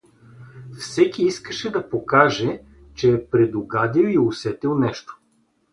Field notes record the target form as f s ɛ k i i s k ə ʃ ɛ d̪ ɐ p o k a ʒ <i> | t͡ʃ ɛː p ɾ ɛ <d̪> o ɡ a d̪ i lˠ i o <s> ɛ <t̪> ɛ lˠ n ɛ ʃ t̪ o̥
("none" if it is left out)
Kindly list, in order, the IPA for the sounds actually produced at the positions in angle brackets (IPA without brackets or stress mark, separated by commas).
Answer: ɛ, d̪, s, t̪